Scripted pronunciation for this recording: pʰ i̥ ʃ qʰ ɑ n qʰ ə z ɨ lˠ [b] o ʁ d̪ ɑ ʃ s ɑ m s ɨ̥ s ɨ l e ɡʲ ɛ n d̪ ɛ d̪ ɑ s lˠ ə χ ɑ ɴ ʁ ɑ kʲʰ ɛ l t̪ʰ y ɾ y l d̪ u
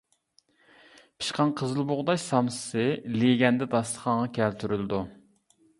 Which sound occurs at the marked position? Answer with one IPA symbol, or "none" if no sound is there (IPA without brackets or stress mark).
b